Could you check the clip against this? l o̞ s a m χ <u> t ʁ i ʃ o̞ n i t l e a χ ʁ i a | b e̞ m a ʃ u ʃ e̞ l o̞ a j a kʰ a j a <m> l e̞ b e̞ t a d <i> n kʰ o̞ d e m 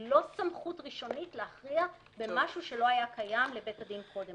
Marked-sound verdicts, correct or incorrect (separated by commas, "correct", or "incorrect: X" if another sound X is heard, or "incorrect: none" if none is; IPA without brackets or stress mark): correct, correct, correct